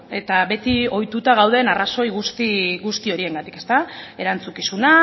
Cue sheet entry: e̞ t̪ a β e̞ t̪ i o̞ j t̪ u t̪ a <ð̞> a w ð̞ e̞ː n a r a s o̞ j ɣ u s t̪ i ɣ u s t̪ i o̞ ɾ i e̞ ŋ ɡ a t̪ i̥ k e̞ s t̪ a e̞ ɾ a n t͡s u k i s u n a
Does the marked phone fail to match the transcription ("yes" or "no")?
yes